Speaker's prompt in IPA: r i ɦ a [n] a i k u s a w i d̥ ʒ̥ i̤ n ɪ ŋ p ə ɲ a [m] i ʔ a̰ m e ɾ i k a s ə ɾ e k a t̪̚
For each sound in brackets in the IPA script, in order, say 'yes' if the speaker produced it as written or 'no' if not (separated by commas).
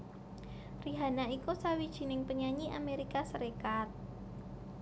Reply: yes, no